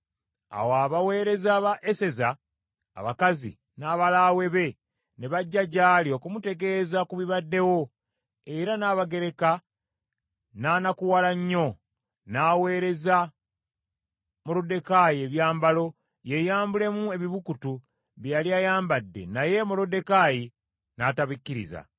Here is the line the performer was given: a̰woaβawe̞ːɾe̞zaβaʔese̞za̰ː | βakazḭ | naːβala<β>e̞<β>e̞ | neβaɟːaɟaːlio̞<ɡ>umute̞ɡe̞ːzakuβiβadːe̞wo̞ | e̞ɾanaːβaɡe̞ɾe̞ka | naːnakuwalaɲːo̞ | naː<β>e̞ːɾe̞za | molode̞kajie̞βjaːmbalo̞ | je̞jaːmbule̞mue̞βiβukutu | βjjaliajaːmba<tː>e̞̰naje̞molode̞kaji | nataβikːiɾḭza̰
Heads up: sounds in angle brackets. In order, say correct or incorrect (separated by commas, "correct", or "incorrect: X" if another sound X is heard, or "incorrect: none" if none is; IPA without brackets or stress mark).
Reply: incorrect: w, correct, incorrect: k, incorrect: w, incorrect: dː